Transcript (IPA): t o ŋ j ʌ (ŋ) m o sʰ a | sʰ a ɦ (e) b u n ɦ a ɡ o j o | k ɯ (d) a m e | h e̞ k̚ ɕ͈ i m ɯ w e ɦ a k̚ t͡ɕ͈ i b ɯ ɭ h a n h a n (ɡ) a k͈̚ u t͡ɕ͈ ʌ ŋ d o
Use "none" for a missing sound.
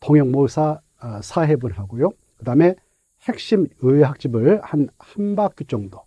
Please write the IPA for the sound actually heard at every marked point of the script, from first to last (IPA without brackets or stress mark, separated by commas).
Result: ŋ, e, d, b